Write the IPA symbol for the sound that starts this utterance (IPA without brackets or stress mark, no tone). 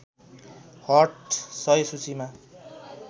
h